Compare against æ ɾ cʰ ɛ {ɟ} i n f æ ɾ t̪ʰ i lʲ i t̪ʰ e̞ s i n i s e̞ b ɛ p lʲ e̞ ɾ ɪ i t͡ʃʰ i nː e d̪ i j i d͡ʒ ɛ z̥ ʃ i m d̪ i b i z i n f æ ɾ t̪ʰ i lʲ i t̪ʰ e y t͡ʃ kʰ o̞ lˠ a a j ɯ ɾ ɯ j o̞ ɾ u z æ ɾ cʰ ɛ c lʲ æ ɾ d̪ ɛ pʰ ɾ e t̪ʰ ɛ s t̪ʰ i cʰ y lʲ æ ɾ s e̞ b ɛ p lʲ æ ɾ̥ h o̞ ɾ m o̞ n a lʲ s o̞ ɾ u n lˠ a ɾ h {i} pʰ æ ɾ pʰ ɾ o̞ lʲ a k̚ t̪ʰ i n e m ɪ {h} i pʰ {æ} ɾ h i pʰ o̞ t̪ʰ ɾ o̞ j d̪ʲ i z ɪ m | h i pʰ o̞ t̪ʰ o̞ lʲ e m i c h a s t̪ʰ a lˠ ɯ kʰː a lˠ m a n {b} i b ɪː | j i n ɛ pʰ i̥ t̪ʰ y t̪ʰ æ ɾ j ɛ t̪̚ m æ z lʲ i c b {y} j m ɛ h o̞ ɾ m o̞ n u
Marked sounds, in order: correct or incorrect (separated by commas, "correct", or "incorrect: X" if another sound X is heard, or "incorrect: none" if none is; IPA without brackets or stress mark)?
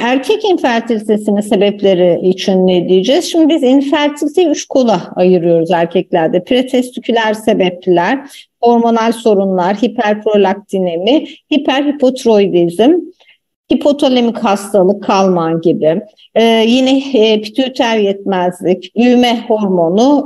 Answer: incorrect: c, correct, correct, correct, incorrect: ɟ, correct